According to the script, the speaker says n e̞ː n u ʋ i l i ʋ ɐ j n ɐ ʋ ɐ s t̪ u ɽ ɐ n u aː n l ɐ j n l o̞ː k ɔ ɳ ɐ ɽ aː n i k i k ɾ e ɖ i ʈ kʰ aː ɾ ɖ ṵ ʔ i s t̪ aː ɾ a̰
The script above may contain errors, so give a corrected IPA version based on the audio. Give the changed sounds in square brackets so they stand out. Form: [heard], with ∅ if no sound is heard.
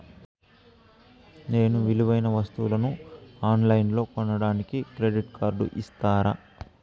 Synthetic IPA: n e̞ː n u ʋ i l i ʋ ɐ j n ɐ ʋ ɐ s t̪ u [l] ɐ n u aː n l ɐ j n l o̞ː k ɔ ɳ ɐ ɽ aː n i k i k ɾ e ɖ i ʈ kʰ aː ɾ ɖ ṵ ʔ i s t̪ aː ɾ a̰